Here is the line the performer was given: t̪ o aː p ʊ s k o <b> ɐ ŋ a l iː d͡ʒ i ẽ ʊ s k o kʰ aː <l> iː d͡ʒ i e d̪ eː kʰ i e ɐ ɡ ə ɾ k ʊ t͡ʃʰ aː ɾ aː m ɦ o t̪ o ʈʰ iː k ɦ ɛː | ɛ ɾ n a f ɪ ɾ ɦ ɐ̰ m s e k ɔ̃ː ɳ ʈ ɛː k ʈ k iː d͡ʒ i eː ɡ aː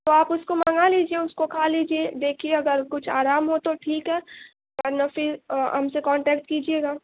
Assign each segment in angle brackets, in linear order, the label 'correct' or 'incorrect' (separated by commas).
incorrect, correct